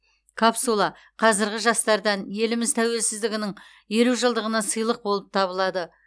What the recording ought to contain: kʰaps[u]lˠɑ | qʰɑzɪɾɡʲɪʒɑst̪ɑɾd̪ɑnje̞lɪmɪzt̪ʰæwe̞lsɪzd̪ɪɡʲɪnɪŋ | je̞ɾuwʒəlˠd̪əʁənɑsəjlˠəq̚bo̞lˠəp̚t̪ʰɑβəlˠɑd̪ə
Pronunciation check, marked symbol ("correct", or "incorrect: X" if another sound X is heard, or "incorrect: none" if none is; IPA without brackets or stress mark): correct